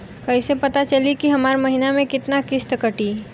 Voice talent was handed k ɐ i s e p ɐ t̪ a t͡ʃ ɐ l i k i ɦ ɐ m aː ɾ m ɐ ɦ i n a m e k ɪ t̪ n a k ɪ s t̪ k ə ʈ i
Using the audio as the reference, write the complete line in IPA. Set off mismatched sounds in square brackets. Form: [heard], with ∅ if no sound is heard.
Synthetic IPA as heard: k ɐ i s e p ɐ t̪ a t͡ʃ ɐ l i k i ɦ ɐ m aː ɾ m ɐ ɦ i n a m [ẽ] k ɪ t̪ n a k ɪ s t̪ k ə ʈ i